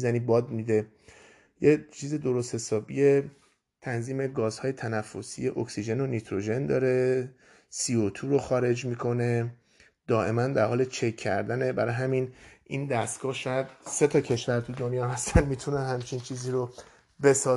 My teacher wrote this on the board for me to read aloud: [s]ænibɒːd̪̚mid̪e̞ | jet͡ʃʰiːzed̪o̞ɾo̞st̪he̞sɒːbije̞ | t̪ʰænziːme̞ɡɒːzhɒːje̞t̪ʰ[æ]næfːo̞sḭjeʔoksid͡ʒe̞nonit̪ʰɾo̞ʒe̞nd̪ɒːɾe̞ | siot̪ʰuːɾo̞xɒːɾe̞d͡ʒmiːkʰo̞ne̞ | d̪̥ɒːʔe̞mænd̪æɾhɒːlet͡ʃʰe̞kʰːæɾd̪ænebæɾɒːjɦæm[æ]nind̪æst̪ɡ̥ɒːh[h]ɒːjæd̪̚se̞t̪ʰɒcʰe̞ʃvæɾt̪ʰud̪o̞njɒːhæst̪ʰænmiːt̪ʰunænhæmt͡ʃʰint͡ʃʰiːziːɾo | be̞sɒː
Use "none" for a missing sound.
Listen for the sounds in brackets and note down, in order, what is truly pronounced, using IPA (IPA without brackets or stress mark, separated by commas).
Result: z, æ, i, ʃ